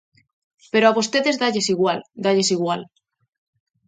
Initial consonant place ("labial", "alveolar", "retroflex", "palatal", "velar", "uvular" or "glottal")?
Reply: labial